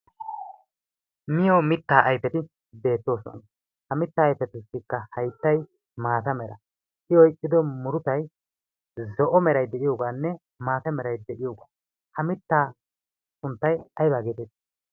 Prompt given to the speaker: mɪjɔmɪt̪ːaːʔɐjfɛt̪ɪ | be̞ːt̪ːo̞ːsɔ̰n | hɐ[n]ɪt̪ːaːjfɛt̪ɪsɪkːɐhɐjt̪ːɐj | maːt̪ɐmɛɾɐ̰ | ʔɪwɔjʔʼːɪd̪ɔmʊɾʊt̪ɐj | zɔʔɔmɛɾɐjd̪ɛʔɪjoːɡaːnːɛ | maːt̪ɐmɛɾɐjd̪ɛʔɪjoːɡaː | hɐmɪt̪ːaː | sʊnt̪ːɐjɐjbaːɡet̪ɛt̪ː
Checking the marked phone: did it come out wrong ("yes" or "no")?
yes